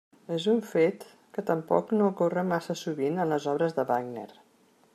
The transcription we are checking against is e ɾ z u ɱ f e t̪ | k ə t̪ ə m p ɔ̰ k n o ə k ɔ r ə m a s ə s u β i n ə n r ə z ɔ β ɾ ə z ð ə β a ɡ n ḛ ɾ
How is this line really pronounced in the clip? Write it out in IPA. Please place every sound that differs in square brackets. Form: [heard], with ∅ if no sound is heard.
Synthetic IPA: e [∅] z u ɱ f e t̪ | k ə t̪ ə m p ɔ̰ k n o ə k [o] r ə m a s ə s u β i n ə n [l] ə z ɔ β ɾ ə z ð ə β a ɡ n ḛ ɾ